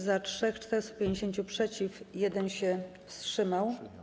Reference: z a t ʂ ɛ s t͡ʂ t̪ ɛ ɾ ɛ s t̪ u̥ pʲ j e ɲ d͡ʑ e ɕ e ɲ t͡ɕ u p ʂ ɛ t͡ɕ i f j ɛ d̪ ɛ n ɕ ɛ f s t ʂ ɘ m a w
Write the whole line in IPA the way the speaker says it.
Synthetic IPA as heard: z a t ʂ ɛ x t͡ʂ t̪ ɛ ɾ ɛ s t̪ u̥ pʲ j e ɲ d͡ʑ e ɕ e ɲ t͡ɕ u p ʂ ɛ t͡ɕ i f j ɛ d̪ ɛ n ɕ ɛ f s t ʂ ɘ m a w